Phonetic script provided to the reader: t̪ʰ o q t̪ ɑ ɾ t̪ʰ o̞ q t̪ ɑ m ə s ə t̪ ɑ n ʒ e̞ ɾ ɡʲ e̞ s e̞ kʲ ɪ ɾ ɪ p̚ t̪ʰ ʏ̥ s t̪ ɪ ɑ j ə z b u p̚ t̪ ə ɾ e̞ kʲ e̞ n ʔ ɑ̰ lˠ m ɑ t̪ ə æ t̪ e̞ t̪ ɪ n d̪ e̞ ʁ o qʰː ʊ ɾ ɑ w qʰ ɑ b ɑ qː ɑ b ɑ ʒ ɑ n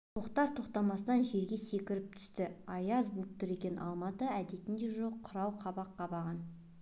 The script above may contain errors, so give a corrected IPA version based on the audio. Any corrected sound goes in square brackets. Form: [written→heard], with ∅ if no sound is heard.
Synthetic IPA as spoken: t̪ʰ o q t̪ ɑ ɾ t̪ʰ o̞ q t̪ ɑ m [ə→ɑ] s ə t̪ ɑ n ʒ e̞ ɾ ɡʲ e̞ s e̞ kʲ ɪ ɾ ɪ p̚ t̪ʰ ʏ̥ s t̪ ɪ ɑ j [ə→ɑ] z b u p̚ t̪ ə ɾ e̞ kʲ e̞ n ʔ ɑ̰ lˠ m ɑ t̪ ə æ [t̪→d̪] e̞ t̪ ɪ n d̪ e̞ [ʁ→ʒ] o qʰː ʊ ɾ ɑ w qʰ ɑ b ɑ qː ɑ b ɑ [ʒ→ʁ] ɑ n